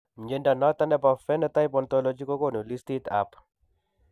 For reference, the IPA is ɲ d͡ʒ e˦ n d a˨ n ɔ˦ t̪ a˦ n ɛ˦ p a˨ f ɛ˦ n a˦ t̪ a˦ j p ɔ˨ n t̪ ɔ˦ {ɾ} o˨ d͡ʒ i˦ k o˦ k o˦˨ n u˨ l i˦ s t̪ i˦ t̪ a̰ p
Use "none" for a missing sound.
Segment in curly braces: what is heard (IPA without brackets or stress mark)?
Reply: l